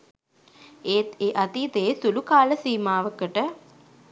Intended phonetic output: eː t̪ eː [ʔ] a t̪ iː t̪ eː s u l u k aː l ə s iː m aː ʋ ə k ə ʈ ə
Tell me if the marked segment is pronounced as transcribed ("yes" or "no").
yes